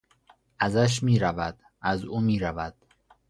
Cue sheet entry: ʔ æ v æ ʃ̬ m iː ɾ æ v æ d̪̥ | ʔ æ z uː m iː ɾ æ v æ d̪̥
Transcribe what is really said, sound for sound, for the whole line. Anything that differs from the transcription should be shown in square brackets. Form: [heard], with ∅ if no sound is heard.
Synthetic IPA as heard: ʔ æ [z] æ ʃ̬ m iː ɾ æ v æ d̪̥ | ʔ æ z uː m iː ɾ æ v æ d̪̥